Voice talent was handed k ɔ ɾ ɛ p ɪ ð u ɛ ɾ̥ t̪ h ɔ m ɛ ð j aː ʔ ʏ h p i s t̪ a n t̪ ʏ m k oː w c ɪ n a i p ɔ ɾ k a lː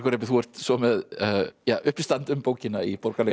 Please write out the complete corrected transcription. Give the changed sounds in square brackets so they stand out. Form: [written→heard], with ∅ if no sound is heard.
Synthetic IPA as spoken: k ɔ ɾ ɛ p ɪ [ð→θ] u ɛ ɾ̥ t̪ [h→s] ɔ m ɛ ð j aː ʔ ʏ h p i s t̪ a n t̪ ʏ m [k→p] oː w c ɪ n a i p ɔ ɾ k a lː